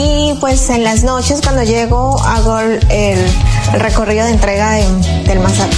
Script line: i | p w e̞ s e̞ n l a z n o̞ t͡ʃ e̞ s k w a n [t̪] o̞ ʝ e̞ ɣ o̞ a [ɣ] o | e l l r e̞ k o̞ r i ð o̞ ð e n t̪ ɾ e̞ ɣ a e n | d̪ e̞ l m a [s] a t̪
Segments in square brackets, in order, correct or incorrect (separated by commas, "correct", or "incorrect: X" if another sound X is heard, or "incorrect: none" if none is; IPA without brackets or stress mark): incorrect: d̪, correct, correct